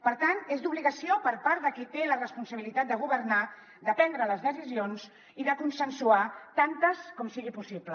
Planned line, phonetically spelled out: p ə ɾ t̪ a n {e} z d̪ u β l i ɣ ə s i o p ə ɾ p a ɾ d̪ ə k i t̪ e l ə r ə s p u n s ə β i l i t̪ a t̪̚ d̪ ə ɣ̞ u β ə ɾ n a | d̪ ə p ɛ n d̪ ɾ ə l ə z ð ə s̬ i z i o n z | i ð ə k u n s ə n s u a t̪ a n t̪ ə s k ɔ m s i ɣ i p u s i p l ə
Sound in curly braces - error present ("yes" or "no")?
no